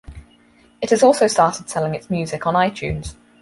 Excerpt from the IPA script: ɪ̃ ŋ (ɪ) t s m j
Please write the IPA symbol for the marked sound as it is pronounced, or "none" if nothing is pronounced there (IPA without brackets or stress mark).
ɪ